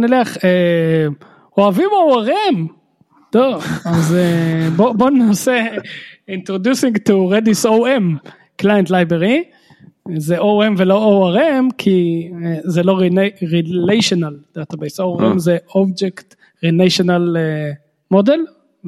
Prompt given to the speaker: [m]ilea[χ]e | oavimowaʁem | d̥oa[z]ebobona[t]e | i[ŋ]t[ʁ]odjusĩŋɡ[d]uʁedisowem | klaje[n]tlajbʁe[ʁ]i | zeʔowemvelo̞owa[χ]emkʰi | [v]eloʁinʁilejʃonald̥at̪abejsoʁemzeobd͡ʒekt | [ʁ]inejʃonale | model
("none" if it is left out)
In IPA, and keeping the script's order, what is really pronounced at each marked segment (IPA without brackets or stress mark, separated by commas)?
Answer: n, χ, z, s, n, ʁ, t, n, ʁ, ʁ, z, ʁ